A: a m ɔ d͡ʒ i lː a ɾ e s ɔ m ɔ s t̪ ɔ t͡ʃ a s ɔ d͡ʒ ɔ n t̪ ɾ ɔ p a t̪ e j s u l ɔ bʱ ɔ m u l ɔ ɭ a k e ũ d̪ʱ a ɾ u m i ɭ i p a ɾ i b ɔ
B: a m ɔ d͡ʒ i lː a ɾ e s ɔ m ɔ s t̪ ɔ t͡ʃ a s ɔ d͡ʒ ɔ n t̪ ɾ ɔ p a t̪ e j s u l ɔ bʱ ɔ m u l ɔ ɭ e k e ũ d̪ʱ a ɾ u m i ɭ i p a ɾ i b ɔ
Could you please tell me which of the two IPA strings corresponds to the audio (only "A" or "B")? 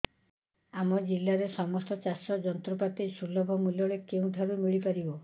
B